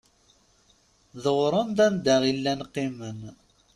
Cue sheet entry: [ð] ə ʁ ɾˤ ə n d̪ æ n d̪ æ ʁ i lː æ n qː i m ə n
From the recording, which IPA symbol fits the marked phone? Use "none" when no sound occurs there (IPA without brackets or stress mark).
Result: ð